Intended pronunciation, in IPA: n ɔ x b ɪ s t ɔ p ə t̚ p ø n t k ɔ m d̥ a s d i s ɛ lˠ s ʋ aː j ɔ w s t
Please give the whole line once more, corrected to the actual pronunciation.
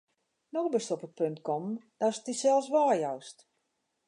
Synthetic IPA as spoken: n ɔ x b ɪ s t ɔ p ə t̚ p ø n t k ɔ m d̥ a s t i s ɛ lˠ s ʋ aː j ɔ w s t